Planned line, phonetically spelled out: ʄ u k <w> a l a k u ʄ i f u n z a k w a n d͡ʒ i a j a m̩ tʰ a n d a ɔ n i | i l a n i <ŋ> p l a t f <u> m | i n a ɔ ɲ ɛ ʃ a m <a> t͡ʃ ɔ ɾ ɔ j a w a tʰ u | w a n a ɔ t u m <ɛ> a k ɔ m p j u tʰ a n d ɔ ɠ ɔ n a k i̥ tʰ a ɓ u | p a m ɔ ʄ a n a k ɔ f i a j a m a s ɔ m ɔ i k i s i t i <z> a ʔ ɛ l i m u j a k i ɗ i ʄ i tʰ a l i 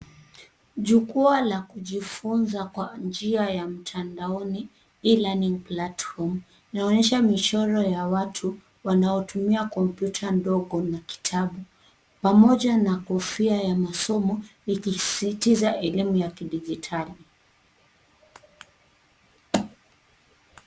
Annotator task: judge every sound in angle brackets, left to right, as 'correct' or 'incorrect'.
incorrect, correct, incorrect, incorrect, incorrect, correct

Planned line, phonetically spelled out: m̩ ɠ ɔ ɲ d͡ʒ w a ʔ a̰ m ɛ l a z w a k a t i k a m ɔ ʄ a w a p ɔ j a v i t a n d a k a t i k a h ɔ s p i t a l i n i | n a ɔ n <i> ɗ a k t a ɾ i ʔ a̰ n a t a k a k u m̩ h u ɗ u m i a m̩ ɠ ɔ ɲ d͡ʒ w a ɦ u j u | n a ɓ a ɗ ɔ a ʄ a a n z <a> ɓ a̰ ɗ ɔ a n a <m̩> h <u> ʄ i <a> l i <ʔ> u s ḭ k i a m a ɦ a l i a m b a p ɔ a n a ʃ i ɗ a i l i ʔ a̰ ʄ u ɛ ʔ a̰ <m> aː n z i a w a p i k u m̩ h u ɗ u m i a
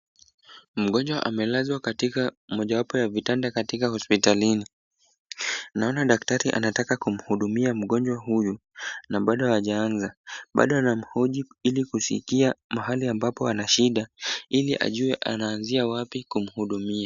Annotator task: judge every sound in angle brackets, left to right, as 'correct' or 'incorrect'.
incorrect, correct, correct, incorrect, incorrect, incorrect, incorrect

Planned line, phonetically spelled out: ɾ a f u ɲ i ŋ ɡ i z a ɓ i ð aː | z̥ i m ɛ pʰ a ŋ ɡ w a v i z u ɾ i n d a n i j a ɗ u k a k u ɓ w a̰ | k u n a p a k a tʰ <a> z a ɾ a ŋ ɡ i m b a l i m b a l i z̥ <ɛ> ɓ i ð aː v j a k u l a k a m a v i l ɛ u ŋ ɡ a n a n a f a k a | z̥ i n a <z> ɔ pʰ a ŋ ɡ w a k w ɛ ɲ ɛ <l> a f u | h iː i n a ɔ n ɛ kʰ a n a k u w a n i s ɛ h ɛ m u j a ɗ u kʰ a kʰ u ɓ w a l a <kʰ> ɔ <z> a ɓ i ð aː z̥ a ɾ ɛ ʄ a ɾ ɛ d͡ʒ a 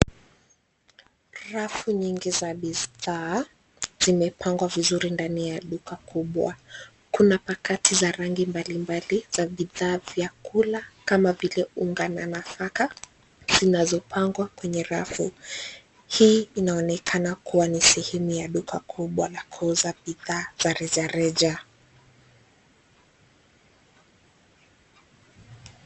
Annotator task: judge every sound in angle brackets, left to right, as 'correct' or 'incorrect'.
incorrect, incorrect, correct, incorrect, correct, correct

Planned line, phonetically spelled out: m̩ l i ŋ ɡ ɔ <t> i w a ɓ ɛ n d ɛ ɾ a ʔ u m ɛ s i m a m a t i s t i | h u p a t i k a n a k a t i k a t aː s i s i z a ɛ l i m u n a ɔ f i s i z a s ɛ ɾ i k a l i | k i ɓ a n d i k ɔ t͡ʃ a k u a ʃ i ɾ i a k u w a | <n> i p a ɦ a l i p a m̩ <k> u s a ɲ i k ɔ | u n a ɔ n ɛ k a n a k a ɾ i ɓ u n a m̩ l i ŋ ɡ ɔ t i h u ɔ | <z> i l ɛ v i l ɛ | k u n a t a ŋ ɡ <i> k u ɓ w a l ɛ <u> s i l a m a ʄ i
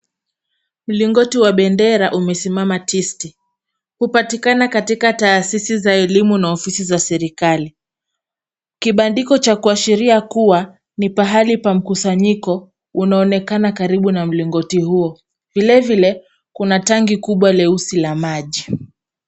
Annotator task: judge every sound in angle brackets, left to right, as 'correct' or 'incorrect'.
correct, correct, correct, incorrect, correct, correct

